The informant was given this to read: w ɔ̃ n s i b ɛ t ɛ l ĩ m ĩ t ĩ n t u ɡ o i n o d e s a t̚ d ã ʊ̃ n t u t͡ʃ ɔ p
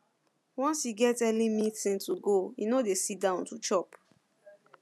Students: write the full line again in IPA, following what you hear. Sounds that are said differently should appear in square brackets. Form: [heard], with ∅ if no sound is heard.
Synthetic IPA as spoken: w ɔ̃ n s i [ɡ] ɛ t ɛ l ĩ m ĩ t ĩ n t u ɡ o i n o d e s [i] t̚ d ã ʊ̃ n t u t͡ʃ ɔ p